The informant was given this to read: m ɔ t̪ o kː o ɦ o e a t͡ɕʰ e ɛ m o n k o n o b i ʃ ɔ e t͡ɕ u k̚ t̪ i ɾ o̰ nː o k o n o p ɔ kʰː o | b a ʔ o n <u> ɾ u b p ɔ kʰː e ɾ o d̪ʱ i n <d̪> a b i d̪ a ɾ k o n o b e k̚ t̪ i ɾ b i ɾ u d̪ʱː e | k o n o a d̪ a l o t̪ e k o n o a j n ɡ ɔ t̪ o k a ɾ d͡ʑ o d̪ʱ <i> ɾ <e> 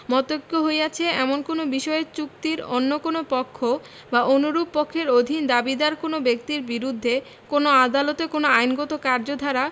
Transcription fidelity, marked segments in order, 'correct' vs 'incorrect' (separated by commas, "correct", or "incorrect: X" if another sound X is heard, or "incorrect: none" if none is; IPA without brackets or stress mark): correct, correct, incorrect: a, incorrect: a